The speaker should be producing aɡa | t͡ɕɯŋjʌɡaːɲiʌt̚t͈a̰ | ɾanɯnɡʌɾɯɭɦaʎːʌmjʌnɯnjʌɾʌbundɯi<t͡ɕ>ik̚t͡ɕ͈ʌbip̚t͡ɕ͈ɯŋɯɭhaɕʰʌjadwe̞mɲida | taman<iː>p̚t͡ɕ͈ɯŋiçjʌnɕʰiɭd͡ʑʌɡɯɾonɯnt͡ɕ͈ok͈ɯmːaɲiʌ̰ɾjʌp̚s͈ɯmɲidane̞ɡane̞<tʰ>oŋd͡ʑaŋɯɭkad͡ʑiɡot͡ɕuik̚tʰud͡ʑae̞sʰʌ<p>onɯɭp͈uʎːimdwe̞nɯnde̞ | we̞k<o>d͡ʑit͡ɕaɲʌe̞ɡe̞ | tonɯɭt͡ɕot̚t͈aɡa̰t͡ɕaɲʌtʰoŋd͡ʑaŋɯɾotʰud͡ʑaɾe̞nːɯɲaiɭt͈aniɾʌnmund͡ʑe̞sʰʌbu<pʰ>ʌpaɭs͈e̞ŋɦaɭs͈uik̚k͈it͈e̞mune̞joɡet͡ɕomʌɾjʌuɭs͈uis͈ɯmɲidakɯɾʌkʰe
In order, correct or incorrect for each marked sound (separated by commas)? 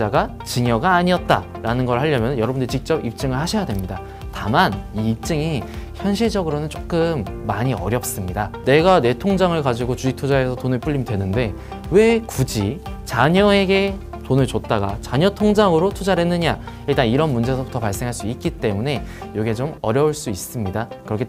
correct, correct, correct, incorrect, incorrect, incorrect